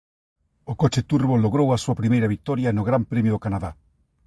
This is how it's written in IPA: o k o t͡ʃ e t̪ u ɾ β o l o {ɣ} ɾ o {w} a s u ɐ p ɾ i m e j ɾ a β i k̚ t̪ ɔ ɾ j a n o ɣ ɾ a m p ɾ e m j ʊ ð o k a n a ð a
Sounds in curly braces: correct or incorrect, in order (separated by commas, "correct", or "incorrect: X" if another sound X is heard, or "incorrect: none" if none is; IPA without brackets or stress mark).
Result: correct, correct